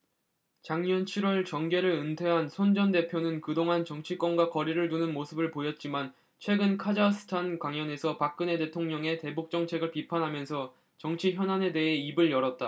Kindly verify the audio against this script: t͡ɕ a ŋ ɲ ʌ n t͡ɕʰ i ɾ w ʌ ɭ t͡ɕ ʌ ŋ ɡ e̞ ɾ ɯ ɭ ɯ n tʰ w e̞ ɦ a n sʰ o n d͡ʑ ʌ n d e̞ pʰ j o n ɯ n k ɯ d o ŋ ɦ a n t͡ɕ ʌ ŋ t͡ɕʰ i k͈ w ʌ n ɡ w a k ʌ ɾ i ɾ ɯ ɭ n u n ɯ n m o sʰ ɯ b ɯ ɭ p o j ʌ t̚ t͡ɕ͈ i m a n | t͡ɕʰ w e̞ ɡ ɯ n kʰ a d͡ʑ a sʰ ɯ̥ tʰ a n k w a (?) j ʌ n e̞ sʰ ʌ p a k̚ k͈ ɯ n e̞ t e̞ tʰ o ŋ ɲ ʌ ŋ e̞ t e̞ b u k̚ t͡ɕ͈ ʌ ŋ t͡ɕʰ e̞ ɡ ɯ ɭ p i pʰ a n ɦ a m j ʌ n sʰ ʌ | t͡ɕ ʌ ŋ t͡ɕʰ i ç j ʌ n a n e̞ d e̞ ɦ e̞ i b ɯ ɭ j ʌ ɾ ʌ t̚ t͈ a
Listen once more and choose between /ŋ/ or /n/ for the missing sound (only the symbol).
ŋ